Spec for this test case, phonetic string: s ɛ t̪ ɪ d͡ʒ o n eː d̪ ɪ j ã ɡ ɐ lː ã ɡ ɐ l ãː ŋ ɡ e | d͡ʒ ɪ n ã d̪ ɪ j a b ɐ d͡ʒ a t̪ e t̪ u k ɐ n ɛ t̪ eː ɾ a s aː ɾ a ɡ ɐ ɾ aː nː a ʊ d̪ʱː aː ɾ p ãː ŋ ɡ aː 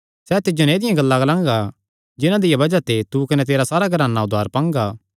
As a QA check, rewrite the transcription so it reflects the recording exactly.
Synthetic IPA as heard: s ɛ t̪ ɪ d͡ʒ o n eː d̪ ɪ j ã ɡ ɐ lː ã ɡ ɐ l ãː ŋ ɡ a | d͡ʒ ɪ n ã d̪ ɪ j a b ɐ d͡ʒ a t̪ e t̪ u k ɐ n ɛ t̪ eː ɾ a s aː ɾ a ɡ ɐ ɾ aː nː a ʊ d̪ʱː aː ɾ p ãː ŋ ɡ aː

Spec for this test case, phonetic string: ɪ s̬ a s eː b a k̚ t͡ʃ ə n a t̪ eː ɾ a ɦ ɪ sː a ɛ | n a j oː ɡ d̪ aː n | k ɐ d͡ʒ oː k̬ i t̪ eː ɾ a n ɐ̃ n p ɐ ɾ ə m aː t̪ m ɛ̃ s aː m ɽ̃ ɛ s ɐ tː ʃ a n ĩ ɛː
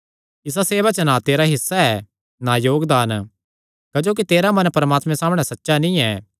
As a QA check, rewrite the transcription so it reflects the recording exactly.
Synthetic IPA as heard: ɪ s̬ a s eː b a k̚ t͡ʃ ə n a t̪ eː ɾ a ɦ ɪ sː a ɛ | n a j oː ɡ d̪ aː n | k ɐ d͡ʒ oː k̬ i t̪ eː ɾ a m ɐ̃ n p ɐ ɾ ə m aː t̪ m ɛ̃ s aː m ɽ̃ ɛ s ɐ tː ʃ a n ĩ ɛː

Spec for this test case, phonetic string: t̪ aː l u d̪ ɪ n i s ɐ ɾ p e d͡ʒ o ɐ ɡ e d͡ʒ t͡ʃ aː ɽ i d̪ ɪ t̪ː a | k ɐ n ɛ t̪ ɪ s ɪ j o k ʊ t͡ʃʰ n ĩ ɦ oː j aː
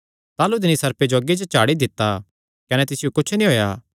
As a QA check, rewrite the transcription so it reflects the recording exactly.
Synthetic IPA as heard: t̪ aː l u d̪ ɪ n i s ɐ ɾ p e d͡ʒ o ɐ ɡ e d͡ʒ t͡ʃ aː ɽ i d̪ ɪ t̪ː a | k ɐ n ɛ t̪ ɪ s ɪ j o k ʊ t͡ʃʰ n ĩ ɦ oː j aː

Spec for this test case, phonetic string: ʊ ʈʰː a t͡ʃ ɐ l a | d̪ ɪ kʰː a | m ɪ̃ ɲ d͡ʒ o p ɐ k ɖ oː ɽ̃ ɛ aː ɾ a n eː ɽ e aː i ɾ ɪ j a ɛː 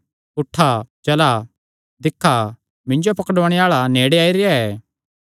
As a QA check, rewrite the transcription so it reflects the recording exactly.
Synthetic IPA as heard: ʊ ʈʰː a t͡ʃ ɐ l a | d̪ ɪ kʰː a | m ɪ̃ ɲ d͡ʒ o p ɐ k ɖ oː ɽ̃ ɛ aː ɭ a n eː ɽ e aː i ɾ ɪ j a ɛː

